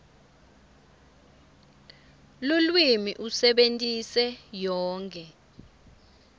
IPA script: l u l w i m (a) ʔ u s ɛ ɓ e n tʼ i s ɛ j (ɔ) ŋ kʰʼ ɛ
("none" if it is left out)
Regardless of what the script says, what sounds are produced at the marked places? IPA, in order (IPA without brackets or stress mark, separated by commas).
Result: i, ɔː